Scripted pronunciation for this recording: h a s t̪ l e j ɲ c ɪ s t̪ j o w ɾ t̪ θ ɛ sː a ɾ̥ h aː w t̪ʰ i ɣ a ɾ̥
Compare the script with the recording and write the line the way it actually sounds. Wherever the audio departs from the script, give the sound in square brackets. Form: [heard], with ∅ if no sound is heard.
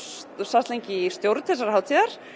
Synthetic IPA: [s] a s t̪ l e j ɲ c ɪ s t̪ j o w ɾ t̪ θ ɛ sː a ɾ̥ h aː w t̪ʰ i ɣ a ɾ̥

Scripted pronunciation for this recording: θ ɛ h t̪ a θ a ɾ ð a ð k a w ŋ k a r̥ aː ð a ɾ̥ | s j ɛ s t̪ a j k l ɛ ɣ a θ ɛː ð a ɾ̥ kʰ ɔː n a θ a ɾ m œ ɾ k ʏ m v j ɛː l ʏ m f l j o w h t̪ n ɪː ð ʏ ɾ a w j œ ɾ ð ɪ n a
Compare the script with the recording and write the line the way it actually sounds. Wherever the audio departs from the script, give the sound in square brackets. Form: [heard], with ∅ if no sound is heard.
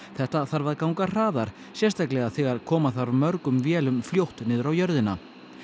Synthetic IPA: θ ɛ h t̪ a θ a ɾ [v] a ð k a w ŋ k a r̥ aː ð a ɾ̥ | s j ɛ s t̪ a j k l ɛ ɣ a θ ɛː [ɣ] a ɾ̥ kʰ ɔː [m] a θ a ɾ m œ ɾ k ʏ m v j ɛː l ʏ m f l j o w h t̪ n ɪː ð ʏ ɾ a w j œ ɾ ð ɪ n a

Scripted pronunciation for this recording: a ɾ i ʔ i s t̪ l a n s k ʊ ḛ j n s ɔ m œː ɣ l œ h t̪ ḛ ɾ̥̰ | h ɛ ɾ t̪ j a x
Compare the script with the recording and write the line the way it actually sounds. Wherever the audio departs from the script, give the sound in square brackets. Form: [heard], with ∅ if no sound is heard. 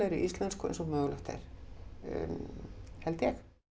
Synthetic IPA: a ɾ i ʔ i s t̪ l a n s k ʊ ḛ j n s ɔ m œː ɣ l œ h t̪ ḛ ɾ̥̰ | h ɛ [l] t̪ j [ɛ] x

